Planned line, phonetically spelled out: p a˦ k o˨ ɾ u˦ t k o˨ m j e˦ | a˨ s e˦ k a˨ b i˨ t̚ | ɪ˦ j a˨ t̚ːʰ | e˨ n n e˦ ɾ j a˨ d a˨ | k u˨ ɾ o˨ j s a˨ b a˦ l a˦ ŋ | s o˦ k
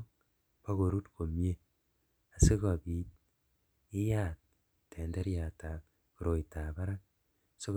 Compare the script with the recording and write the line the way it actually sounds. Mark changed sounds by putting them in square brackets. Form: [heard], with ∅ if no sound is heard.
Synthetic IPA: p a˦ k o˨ ɾ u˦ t k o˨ m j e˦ | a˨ s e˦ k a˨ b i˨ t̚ | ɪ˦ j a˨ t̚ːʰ | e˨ n [d] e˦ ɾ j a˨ [t] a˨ | k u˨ ɾ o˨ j [t] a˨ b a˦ [ɾ] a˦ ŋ | s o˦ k